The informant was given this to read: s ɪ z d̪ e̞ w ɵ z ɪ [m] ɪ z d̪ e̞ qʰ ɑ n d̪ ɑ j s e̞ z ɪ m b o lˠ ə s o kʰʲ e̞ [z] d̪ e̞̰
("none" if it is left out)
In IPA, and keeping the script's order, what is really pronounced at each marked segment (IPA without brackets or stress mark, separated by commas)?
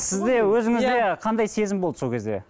ŋ, z